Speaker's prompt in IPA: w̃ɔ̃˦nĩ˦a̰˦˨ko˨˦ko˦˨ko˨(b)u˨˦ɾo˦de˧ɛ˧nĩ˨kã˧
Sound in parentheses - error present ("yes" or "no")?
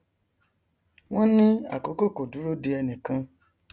yes